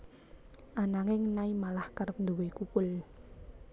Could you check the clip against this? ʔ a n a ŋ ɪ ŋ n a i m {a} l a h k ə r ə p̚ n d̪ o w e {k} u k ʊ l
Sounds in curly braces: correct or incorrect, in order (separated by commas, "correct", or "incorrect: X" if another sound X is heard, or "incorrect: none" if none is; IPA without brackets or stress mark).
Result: correct, correct